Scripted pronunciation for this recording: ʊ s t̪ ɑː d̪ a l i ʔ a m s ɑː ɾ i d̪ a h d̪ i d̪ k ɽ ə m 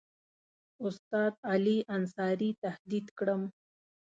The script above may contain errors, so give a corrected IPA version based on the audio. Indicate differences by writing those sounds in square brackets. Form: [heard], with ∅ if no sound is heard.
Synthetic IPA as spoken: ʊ s t̪ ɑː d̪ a l i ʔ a [n] s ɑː ɾ i [t̪] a h d̪ i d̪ k ɽ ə m

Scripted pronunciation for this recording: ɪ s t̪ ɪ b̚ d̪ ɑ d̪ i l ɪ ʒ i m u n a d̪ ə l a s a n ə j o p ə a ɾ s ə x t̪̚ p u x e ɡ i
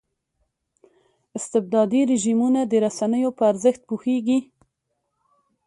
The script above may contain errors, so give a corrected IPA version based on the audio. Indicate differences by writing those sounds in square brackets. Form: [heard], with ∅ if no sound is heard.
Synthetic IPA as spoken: ɪ s t̪ ɪ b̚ d̪ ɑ d̪ i [ɾ] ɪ ʒ i m u n a d̪ ə [ɾ] a s a n ə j o p ə a ɾ [z] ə x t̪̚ p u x e ɡ i

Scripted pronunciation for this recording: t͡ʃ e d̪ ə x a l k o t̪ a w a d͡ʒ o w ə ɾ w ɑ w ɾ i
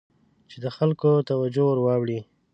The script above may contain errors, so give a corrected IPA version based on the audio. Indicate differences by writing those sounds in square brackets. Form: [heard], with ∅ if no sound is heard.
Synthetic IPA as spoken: t͡ʃ e d̪ ə x a l k o t̪ a w a d͡ʒ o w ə ɾ w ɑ w [ɽ] i

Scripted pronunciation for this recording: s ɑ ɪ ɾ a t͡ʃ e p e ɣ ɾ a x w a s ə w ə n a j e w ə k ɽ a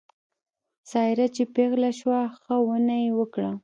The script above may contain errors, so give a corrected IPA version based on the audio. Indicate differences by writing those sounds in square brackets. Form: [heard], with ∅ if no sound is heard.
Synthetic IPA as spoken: s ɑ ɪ ɾ a t͡ʃ e p e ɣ [l] a [ʃ] w a [x] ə w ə n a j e w ə k ɽ a

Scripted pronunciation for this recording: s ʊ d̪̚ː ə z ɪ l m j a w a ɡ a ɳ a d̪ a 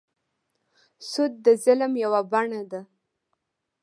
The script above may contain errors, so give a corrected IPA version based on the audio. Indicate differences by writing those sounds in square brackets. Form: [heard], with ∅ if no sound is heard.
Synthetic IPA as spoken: s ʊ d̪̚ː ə z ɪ l m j a w a [b] a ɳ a d̪ a

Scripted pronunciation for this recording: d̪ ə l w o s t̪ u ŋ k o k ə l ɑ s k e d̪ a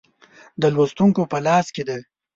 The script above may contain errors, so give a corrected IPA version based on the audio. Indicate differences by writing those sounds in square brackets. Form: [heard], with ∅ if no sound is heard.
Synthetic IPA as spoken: d̪ ə l w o s t̪ u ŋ k o [p] ə l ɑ s k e d̪ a

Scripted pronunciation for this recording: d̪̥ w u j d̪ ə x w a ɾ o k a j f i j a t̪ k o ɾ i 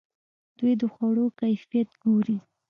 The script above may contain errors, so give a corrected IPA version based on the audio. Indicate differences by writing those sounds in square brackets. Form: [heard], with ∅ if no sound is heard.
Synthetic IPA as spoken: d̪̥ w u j d̪ ə x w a [ɽ] o k a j f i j a t̪ [ɡ] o ɾ i

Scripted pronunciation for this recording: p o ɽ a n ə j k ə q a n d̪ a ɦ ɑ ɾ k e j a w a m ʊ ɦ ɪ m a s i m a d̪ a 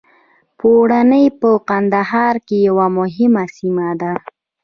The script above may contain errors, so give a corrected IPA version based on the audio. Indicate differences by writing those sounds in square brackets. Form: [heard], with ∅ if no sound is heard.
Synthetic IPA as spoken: p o ɽ a n ə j [p] ə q a n d̪ a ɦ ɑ ɾ k e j a w a m ʊ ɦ ɪ m a s i m a d̪ a

